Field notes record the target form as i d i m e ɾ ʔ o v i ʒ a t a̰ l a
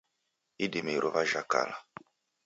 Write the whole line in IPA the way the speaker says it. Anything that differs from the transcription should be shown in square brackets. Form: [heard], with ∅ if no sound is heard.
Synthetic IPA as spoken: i d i m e ɾ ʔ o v [a] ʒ a [k] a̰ l a

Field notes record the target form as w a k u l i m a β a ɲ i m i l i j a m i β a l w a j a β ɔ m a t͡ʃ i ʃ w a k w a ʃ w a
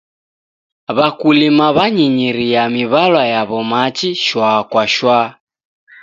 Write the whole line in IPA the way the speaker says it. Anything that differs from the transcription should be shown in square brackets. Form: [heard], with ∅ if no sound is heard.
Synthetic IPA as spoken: [β] a k u l i m a β a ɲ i [ɲ] i [ɾ] i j a m i β a l w a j a β ɔ m a t͡ʃ i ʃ w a k w a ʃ w a

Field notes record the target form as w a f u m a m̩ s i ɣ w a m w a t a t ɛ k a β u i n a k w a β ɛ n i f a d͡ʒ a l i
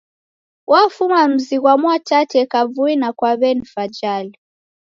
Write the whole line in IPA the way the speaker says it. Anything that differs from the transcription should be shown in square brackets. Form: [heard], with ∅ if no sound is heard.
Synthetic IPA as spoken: w a f u m a m̩ [z] i ɣ w a m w a t a t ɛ k a [v] u i n a k w a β ɛ n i f a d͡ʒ a l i

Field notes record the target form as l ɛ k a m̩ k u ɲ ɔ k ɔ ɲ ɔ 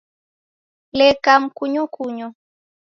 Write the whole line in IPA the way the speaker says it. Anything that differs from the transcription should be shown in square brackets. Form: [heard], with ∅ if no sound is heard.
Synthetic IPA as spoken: l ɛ k a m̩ k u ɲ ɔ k [u] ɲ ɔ

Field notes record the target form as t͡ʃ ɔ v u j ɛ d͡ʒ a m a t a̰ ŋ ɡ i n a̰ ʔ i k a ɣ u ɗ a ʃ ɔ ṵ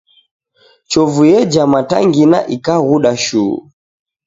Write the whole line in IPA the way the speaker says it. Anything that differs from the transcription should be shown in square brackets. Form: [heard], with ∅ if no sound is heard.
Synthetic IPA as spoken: t͡ʃ ɔ v u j ɛ d͡ʒ a m a t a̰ ŋ ɡ i n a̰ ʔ i k a ɣ u ɗ a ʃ [u] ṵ

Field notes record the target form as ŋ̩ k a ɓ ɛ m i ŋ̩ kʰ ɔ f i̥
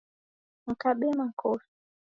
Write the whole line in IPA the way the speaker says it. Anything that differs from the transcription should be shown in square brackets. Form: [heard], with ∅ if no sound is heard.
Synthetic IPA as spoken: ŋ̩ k a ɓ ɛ m [a] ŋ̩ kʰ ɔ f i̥

